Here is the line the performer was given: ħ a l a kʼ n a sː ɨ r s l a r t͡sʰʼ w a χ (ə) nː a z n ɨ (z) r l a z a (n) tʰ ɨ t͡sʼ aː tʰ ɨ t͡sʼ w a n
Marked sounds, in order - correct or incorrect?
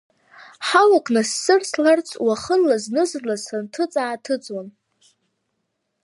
correct, correct, correct

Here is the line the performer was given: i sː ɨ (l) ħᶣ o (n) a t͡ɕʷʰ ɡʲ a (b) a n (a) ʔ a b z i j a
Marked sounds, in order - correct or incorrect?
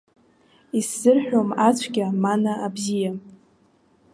incorrect: r, incorrect: m, incorrect: m, correct

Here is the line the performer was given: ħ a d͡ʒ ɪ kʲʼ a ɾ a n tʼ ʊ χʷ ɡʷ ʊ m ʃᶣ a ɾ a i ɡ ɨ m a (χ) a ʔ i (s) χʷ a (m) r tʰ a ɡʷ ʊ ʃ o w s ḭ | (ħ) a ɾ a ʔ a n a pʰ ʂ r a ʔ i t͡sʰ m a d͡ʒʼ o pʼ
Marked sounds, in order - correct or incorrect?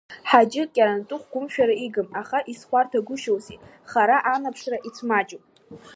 correct, correct, incorrect: none, incorrect: χ

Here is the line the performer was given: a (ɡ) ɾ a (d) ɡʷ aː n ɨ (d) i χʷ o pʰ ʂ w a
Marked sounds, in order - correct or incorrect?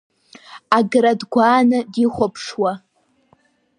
correct, correct, correct

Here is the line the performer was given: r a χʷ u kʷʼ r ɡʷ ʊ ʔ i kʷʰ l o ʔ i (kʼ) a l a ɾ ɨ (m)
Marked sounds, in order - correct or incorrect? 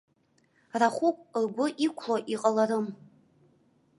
incorrect: qʼ, correct

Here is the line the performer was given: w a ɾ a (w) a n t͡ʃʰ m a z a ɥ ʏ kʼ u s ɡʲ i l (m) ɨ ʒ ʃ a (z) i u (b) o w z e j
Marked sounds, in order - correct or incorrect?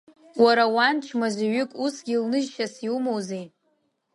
correct, incorrect: n, incorrect: s, incorrect: m

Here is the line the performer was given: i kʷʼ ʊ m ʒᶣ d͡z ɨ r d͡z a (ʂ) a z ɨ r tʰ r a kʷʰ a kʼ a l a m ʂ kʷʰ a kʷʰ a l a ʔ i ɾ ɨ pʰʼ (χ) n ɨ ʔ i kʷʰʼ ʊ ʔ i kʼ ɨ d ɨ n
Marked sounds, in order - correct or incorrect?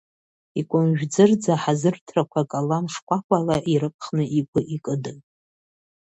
incorrect: ħ, correct

